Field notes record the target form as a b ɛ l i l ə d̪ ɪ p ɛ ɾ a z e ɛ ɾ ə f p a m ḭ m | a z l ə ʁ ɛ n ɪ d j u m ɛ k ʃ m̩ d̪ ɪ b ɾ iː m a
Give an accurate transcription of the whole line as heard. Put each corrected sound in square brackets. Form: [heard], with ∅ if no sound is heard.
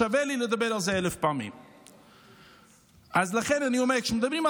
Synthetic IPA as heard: a [v] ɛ l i l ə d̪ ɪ [b] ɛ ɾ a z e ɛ [l] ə f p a m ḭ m | a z l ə [χ] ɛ n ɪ [n] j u m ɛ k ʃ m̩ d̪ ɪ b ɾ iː m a

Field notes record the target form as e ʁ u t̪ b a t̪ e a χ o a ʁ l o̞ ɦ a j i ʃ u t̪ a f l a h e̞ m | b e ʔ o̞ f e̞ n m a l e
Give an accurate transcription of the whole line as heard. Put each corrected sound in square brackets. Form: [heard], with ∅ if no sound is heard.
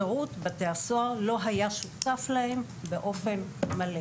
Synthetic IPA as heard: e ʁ u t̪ b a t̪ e a [s] o a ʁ l o̞ ɦ a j [a] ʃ u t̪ a f l a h e̞ m | b e ʔ o̞ f e̞ n m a l e

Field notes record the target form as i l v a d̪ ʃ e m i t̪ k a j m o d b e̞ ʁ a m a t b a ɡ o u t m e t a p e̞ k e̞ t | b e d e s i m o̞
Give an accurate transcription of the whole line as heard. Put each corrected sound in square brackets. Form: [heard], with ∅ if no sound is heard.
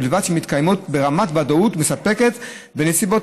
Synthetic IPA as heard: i l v a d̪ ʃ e m i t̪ k a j m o [t] b e̞ ʁ a m a t b a [d] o u t m e [s] a p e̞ k e̞ t | b e [n] e s i [b] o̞

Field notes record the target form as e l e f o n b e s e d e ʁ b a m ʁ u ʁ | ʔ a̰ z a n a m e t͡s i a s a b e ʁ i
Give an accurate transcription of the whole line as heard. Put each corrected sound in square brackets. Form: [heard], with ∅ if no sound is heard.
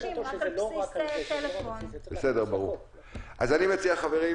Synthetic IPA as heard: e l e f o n b e s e d e ʁ b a [∅] ʁ u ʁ | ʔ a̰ z a n [i] m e t͡s i a [χ] a [v] e ʁ i

